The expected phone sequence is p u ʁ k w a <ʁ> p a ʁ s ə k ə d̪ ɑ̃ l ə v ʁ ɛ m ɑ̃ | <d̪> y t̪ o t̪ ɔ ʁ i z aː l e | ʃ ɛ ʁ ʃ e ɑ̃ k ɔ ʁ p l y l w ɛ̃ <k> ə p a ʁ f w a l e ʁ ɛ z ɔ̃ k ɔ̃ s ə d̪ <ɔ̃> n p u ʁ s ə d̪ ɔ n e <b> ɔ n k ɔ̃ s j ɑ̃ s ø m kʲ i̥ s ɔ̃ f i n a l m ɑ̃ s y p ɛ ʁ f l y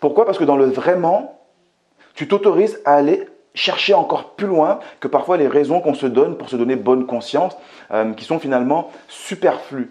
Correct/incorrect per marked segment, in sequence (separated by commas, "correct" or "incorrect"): incorrect, incorrect, correct, incorrect, correct